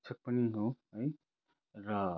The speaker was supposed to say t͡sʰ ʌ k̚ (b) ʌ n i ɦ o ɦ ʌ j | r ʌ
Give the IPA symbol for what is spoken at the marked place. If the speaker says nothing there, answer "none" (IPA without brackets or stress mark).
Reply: p